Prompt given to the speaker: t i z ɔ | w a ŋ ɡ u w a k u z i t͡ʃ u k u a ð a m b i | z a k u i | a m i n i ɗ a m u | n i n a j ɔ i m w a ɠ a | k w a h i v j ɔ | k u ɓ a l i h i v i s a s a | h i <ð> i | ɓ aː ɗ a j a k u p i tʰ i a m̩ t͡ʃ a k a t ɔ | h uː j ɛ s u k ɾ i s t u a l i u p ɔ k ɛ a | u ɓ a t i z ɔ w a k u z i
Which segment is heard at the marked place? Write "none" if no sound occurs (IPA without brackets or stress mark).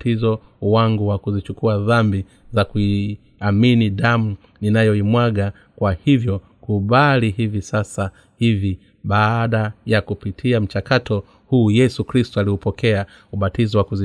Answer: v